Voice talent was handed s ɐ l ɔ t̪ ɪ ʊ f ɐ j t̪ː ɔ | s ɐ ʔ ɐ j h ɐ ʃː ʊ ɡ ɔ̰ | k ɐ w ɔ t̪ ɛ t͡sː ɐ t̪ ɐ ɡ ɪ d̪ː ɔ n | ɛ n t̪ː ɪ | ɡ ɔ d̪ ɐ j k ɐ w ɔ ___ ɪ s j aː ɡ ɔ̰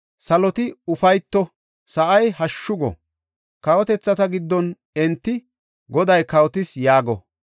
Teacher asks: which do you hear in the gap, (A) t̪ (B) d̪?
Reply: A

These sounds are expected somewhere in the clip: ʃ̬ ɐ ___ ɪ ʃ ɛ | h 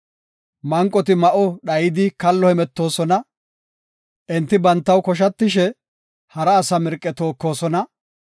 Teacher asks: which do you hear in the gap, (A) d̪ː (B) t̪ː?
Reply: B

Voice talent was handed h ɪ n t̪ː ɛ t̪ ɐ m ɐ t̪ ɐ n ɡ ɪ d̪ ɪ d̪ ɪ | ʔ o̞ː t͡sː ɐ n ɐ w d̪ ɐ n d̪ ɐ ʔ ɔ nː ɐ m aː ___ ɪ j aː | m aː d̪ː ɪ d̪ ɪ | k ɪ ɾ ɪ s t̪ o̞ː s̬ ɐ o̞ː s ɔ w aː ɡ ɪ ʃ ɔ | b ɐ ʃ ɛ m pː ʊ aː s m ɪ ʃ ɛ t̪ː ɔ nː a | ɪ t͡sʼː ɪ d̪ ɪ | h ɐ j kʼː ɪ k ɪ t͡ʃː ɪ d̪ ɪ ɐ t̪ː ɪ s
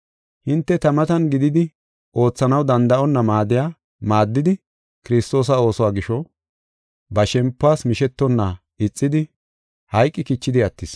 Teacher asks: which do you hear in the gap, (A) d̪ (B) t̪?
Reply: A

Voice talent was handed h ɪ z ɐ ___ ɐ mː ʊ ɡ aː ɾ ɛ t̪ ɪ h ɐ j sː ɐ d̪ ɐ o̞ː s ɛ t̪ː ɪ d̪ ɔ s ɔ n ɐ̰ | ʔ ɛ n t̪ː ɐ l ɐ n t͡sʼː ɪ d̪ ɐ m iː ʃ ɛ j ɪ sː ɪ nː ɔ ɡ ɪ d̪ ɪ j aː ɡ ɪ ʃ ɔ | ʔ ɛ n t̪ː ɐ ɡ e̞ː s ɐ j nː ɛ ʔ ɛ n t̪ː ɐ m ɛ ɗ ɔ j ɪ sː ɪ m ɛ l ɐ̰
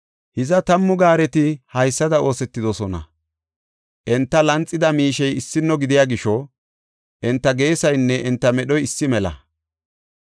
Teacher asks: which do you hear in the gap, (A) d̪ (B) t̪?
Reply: B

